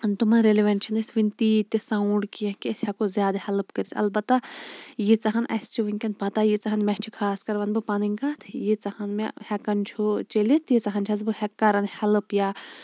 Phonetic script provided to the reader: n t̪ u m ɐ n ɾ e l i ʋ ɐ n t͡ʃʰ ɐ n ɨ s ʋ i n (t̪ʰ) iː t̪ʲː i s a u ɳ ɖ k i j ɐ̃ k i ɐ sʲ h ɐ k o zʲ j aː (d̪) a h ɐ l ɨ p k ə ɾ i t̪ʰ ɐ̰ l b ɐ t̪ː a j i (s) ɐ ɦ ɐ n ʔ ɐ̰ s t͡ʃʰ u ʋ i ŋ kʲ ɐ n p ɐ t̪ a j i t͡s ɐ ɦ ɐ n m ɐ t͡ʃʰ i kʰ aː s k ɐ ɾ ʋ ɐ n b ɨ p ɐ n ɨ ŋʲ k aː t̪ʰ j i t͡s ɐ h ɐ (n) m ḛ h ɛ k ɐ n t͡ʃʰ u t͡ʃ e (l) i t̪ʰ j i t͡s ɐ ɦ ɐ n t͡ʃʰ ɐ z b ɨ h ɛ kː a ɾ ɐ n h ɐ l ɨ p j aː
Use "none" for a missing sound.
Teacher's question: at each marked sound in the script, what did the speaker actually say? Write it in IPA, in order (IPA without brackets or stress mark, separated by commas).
t̪, d̪, t͡s, n, l